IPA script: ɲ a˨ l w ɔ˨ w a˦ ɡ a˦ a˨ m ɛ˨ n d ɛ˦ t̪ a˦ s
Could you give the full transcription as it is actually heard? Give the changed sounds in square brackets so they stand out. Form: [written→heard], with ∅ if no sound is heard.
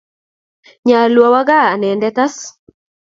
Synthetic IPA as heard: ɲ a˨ l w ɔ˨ w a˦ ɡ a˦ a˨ [m→n] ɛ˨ n d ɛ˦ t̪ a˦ s